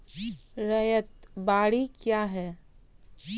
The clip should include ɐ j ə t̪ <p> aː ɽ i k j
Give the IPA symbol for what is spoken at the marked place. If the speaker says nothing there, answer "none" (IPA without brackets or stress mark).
b